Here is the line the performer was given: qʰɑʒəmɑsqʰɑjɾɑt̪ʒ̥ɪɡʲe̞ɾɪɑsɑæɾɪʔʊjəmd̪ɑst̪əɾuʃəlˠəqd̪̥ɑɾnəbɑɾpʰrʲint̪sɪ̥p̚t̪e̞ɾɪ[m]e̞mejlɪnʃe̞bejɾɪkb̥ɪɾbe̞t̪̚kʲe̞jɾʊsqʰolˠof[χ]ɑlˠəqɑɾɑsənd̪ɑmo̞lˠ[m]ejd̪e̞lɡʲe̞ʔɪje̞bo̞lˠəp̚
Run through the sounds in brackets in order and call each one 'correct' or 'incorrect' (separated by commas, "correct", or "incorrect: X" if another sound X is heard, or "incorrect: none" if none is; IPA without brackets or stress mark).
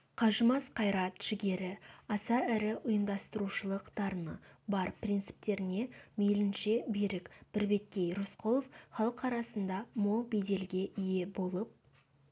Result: incorrect: n, correct, incorrect: b